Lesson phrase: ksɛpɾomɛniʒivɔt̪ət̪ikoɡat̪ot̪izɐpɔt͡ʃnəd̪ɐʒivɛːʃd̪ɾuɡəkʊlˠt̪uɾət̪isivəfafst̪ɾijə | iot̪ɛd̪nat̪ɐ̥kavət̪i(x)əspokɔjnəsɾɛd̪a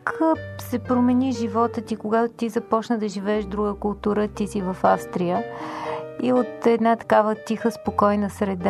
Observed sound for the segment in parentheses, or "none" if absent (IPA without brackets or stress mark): x